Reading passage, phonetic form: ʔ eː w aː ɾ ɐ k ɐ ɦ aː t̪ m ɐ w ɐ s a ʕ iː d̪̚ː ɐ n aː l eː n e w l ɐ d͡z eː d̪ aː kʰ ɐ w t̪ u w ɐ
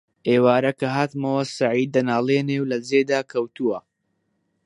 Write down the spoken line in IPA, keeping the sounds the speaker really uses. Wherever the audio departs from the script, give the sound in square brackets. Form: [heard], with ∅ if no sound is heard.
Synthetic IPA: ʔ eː w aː ɾ ɐ k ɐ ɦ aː t̪ m ɐ w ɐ s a ʕ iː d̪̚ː ɐ n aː l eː n e w l ɐ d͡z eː d̪ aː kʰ ɐ w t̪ u w ɐ